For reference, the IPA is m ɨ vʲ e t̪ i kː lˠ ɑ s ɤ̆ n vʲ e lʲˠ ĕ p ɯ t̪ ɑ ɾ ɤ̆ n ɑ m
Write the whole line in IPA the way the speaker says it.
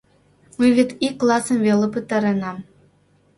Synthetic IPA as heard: m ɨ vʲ e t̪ i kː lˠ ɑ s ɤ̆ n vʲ e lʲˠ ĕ p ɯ t̪ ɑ ɾ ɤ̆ n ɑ m